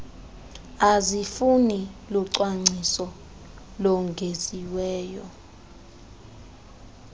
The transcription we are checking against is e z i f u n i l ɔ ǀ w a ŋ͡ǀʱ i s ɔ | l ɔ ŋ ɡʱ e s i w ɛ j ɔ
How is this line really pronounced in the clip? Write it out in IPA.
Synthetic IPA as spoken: a z i f u n i l ɔ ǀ w a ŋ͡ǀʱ i s ɔ | l ɔ ŋ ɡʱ e z i w ɛː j ɔ